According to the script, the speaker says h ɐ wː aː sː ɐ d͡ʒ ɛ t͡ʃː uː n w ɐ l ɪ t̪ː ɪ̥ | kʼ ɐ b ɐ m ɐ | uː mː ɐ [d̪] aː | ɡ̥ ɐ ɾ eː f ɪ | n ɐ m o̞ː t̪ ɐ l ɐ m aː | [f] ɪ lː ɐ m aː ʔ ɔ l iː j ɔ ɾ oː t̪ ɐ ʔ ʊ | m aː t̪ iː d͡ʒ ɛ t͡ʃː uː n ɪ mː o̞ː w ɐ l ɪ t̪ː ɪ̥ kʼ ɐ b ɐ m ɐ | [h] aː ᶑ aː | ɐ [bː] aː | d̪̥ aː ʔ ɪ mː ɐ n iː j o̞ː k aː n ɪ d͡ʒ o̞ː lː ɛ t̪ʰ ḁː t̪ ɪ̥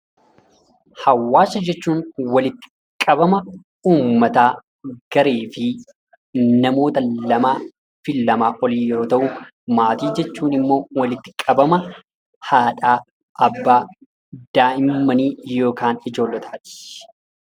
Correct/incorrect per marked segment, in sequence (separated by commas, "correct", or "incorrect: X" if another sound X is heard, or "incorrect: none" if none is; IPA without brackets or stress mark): incorrect: t̪, correct, correct, correct